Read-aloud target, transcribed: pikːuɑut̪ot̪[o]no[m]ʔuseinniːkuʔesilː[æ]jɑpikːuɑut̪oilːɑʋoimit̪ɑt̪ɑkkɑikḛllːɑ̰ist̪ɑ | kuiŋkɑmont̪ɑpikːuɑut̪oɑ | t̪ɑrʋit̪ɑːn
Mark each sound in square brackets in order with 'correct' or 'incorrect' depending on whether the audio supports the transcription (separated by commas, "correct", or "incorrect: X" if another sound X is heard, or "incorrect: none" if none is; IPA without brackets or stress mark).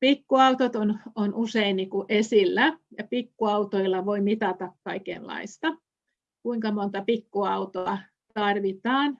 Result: correct, incorrect: n, correct